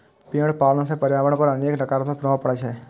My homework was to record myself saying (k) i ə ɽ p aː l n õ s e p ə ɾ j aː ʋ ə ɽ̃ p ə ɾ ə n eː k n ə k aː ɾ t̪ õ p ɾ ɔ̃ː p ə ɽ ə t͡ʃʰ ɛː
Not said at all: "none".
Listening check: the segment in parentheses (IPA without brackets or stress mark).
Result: p